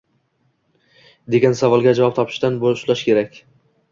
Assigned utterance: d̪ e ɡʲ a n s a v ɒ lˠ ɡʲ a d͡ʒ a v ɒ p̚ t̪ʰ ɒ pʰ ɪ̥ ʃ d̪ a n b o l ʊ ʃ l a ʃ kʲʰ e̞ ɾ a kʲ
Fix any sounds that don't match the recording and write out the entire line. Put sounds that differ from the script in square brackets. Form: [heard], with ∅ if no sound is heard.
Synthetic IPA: d̪ e ɡʲ a n s a v ɒ lˠ ɡʲ a d͡ʒ a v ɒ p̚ t̪ʰ ɒ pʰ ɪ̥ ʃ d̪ a n b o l ʊ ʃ l a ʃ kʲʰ e̞ ɾ a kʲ